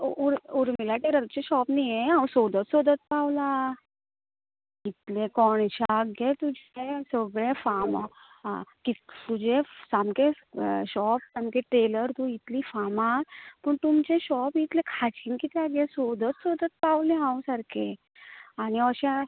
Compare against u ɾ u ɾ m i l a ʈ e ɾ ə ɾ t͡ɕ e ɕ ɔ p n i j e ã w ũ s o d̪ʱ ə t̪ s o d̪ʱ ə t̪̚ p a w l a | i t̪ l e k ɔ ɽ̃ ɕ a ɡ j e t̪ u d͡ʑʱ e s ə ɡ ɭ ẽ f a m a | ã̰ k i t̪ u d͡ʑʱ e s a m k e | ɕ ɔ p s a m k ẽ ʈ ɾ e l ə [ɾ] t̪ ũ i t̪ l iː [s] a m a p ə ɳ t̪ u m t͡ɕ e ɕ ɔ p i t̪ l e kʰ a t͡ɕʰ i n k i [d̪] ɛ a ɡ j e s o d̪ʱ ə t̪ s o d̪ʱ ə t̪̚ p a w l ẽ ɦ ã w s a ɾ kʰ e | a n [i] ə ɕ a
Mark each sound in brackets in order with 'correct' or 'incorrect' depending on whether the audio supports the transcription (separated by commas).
correct, incorrect, incorrect, correct